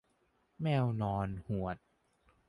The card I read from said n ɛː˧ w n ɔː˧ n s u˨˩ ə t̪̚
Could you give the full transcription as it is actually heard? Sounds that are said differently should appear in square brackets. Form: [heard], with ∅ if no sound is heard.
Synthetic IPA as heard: [m] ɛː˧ w n ɔː˧ n [h] u˨˩ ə t̪̚